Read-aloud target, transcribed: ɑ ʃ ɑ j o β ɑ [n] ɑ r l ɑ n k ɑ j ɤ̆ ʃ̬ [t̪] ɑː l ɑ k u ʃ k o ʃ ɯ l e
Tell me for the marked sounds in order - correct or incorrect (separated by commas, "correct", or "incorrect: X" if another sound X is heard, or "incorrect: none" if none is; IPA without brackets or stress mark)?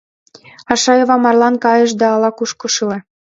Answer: incorrect: m, incorrect: d̪